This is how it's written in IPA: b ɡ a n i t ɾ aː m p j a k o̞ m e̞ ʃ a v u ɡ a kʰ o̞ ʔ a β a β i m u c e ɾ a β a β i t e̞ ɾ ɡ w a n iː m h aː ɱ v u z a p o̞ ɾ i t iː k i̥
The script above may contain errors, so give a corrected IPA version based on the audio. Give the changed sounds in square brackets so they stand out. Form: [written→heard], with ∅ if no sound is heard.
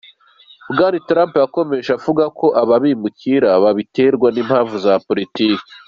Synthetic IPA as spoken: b ɡ a n i t ɾ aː m p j a k o̞ m e̞ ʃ a v u ɡ a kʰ o̞ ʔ a β a β i m u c [e→i] ɾ a β a β i t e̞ ɾ ɡ w a n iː m h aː ɱ v u z a p o̞ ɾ i t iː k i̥